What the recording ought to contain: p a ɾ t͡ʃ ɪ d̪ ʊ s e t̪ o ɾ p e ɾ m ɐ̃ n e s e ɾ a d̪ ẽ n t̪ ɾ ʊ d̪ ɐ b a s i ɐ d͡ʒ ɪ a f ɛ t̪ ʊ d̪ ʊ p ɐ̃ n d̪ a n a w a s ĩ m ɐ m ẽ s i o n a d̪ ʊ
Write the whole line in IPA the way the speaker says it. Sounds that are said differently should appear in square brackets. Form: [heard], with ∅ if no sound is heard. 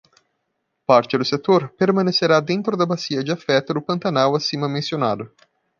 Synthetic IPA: p a ɾ t͡ʃ ɪ d̪ ʊ s e t̪ o ɾ p e ɾ m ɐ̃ n e s e ɾ a d̪ ẽ n t̪ ɾ ʊ d̪ ɐ b a s i ɐ d͡ʒ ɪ a f ɛ t̪ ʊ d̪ ʊ p ɐ̃ n [t̪] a n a w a s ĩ m ɐ m ẽ s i o n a d̪ ʊ

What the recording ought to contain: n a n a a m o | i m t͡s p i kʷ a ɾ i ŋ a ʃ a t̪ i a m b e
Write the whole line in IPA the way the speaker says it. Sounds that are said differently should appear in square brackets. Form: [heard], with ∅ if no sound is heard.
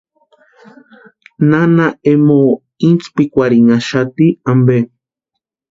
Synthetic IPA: n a n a [e] m o | i [n] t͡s p i kʷ a ɾ i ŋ a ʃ a t̪ i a m b e

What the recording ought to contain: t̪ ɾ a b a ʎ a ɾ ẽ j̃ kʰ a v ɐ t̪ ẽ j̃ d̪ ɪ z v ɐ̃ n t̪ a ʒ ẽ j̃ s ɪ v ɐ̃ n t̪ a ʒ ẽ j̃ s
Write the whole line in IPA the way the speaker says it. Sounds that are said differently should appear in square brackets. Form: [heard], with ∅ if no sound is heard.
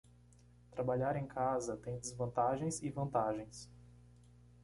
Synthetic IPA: t̪ ɾ a b a ʎ a ɾ ẽ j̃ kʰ a [z] ɐ t̪ ẽ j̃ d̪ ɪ z v ɐ̃ n t̪ a ʒ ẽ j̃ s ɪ v ɐ̃ n t̪ a ʒ ẽ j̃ s

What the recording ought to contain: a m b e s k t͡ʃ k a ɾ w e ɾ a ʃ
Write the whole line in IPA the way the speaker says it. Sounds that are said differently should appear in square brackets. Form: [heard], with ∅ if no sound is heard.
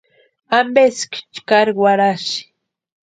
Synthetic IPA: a m b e s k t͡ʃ k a ɾ w [a] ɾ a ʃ

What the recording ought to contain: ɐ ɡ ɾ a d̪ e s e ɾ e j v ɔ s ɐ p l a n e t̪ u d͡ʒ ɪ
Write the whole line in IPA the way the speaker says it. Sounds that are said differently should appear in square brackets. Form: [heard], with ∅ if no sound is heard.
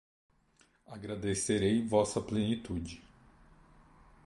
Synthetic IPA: [a] ɡ ɾ a d̪ e s e ɾ e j v ɔ s ɐ p l [e] n [i] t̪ u d͡ʒ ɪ

